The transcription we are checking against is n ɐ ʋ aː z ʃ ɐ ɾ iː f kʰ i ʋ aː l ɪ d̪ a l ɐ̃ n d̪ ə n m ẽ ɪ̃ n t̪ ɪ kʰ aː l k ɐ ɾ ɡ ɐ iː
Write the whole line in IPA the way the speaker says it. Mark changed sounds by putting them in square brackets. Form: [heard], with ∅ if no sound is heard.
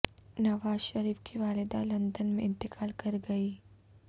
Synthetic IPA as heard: n ɐ ʋ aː z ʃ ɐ ɾ iː f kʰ i ʋ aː l ɪ d̪ a l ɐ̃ n d̪ ə n m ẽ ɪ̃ n t̪ ɪ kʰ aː l k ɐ ɾ ɡ ɐ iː